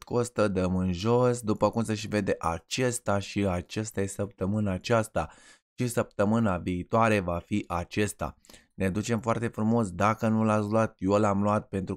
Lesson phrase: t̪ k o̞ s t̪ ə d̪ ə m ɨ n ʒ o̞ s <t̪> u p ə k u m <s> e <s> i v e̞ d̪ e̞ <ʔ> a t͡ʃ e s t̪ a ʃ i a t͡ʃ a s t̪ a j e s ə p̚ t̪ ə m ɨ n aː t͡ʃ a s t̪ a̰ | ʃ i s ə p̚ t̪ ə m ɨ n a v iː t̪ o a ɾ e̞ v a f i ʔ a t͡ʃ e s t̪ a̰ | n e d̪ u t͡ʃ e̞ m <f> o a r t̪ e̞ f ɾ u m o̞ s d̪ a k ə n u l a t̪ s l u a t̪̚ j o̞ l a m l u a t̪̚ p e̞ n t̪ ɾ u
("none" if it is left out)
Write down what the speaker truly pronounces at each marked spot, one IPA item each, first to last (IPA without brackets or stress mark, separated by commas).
d̪, s, ʃ, ʔ, f